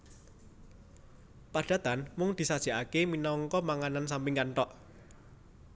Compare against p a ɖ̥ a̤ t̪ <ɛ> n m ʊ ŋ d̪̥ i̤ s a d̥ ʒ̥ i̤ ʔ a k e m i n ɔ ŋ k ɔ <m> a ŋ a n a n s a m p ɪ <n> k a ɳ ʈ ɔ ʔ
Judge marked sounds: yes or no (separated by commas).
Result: no, yes, no